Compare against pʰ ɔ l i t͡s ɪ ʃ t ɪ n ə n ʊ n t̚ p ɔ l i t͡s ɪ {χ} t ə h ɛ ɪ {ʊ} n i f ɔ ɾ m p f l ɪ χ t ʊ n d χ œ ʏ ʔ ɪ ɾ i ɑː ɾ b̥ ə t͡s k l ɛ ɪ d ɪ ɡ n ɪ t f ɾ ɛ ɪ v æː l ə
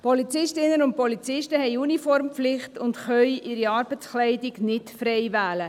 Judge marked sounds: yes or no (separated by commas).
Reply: no, no